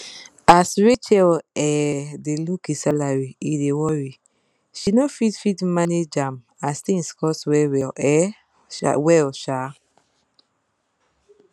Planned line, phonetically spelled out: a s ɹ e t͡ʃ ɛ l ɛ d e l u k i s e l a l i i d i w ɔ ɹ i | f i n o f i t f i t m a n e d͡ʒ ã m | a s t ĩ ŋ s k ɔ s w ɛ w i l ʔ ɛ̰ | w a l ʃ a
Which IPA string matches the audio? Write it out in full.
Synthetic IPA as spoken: a s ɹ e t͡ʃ ɛ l ɛ d e l u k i s a l a ɹ i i d e w ɔ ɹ i | ʃ i n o f i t f i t m a n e d͡ʒ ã m | a s t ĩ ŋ s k ɔ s w ɛ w ɛ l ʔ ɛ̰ | w ɛ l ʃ a